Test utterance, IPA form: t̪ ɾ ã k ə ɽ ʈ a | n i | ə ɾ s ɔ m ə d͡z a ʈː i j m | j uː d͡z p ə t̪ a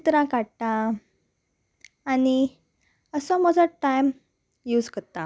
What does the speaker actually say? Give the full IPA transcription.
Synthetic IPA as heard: t̪ ɾ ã k a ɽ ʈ a | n i | ə s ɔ m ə d͡z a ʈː a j m | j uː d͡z k ə t̪ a